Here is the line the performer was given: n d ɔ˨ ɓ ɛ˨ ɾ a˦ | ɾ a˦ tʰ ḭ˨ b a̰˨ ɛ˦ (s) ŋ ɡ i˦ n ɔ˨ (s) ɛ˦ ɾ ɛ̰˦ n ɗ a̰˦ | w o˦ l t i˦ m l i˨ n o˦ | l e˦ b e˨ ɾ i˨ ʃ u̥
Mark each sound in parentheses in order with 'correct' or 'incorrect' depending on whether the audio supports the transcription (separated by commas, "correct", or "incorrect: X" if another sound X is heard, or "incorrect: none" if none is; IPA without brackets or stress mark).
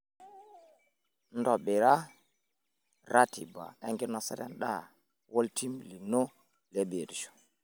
incorrect: none, correct